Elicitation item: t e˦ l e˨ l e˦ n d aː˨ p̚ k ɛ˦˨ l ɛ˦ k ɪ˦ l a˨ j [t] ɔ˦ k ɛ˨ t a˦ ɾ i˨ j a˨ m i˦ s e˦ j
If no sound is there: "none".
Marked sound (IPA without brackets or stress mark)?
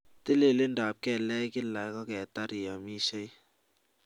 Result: k